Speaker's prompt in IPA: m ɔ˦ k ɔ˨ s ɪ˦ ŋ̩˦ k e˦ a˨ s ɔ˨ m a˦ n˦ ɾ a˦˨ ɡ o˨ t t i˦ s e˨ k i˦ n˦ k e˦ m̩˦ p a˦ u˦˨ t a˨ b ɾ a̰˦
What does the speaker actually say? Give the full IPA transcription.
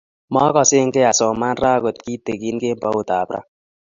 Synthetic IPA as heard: m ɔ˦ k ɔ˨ s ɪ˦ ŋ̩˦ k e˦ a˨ s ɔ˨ m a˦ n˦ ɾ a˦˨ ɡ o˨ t k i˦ t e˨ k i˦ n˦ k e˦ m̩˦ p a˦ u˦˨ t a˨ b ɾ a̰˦